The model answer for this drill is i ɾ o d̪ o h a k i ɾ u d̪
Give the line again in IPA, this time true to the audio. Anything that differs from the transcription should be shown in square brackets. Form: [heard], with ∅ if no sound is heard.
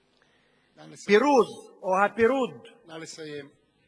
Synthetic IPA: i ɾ [u] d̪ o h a [p] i ɾ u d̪